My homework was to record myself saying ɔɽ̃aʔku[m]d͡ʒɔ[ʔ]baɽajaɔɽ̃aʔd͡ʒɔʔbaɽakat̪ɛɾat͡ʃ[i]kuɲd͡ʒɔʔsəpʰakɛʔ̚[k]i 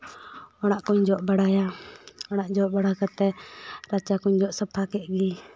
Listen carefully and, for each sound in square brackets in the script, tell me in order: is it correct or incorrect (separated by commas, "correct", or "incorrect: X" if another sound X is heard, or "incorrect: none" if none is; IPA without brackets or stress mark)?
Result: incorrect: ɲ, correct, incorrect: a, incorrect: ɡ